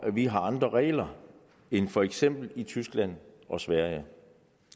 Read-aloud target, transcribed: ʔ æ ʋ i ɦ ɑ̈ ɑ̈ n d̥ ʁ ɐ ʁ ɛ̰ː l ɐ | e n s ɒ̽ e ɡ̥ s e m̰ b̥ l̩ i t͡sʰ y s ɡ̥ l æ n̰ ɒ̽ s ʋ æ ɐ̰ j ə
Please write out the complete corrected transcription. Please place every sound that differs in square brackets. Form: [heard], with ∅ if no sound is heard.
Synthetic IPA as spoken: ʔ æ ʋ i ɦ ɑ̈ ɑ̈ n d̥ ʁ ɐ ʁ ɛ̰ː l ɐ | e n [f] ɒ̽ e ɡ̥ s e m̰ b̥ l̩ i t͡sʰ y s ɡ̥ l æ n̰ ɒ̽ s ʋ æ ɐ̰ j ə

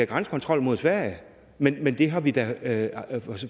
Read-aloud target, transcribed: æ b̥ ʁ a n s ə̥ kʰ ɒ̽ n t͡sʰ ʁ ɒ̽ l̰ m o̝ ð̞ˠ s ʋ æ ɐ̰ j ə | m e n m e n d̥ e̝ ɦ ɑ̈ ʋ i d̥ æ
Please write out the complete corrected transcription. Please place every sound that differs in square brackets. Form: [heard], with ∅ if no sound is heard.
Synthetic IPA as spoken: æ [ɡ̥] ʁ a n s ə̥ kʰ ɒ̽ n t͡sʰ ʁ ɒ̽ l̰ m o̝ ð̞ˠ s ʋ æ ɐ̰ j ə | m e n m e n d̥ e̝ ɦ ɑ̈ ʋ i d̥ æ

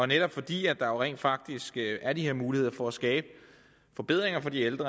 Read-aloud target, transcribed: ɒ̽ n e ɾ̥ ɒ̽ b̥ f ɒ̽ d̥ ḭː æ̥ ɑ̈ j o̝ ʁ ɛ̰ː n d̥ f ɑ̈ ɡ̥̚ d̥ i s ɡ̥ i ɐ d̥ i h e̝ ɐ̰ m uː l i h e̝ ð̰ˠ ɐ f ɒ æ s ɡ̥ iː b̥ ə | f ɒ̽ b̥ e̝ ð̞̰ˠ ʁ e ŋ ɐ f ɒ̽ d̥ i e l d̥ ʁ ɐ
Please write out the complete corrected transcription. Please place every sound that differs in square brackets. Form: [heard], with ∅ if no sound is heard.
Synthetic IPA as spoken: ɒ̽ n e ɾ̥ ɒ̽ b̥ f ɒ̽ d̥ ḭː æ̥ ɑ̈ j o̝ ʁ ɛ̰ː n d̥ f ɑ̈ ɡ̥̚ d̥ i s ɡ̥ [æ] ɐ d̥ i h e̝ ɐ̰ m uː l i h e̝ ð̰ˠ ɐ f ɒ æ s ɡ̥ [ɛː] b̥ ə | f ɒ̽ b̥ e̝ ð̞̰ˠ ʁ e ŋ ɐ f ɒ̽ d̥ i e l d̥ ʁ ɐ

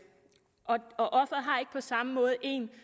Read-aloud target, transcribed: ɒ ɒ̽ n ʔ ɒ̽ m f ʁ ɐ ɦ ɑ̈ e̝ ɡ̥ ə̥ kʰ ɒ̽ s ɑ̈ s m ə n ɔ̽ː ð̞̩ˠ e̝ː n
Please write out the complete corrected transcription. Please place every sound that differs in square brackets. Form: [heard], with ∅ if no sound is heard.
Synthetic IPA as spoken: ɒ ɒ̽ [∅] ʔ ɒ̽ [∅] f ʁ ɐ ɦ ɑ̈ e̝ ɡ̥ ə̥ [pʰ] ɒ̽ s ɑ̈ [∅] m ə [m] ɔ̽ː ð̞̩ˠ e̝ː n

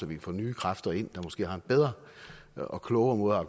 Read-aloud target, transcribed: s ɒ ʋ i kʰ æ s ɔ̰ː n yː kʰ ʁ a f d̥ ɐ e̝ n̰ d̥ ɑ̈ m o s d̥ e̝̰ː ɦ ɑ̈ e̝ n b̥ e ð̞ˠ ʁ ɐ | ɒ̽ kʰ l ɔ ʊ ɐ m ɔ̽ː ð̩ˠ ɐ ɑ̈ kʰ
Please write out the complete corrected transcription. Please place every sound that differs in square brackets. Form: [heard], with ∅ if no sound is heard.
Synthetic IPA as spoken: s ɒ ʋ i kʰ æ [f] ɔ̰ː n yː kʰ ʁ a f d̥ ɐ e̝ n̰ d̥ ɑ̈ m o s [ɡ̥] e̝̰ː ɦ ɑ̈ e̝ n b̥ e ð̞ˠ ʁ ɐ | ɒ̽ kʰ l ɔ ʊ ɐ m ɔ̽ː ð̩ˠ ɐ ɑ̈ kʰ

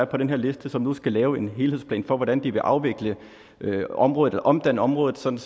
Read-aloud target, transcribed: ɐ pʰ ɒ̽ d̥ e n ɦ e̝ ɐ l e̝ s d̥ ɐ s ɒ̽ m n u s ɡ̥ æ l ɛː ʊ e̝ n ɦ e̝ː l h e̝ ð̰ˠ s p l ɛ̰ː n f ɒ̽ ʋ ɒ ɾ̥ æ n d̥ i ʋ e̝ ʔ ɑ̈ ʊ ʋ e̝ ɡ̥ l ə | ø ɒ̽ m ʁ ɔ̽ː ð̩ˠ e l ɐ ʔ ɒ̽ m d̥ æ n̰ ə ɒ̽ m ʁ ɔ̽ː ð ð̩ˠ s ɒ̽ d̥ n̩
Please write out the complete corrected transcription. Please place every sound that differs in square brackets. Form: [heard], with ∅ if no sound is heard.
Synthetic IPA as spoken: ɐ pʰ ɒ̽ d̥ e n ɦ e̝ ɐ l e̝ s d̥ [ə] s ɒ̽ m n u s ɡ̥ æ l ɛː ʊ e̝ n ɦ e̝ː l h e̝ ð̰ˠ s p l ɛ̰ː n f ɒ̽ ʋ ɒ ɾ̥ æ n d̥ i ʋ e̝ ʔ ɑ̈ ʊ ʋ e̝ ɡ̥ l ə | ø ɒ̽ m ʁ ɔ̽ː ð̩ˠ e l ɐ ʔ ɒ̽ m d̥ æ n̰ ə ɒ̽ m ʁ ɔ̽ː ð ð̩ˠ s ɒ̽ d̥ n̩

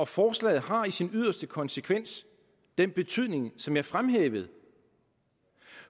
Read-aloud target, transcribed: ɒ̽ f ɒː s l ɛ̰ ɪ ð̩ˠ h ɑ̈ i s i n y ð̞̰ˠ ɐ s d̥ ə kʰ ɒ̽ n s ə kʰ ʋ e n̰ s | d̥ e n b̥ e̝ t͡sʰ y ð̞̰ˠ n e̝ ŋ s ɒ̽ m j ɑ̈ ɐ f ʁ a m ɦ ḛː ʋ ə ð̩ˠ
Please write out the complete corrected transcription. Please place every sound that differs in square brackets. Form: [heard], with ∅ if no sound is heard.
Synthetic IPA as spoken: ɒ̽ f ɒː s l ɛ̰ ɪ ð̩ˠ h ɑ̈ i s i n y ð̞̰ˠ ɐ s d̥ ə kʰ ɒ̽ n s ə kʰ ʋ e n̰ s | d̥ e n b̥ e̝ t͡sʰ y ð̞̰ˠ n e̝ ŋ s ɒ̽ m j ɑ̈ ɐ f ʁ a m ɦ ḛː ʋ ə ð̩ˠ

